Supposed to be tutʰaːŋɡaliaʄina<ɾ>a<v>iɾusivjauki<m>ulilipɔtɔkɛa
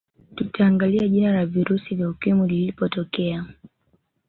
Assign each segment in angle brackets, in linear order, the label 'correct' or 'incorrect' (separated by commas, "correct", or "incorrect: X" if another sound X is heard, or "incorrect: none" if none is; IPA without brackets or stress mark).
incorrect: l, correct, correct